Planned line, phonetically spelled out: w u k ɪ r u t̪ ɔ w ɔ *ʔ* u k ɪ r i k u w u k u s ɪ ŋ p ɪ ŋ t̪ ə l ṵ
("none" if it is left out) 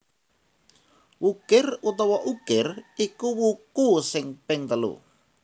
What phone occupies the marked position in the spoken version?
ʔ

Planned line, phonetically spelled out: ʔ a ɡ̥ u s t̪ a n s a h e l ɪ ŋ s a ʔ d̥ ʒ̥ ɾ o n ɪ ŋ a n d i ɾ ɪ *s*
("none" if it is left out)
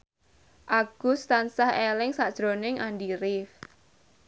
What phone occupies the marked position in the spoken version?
f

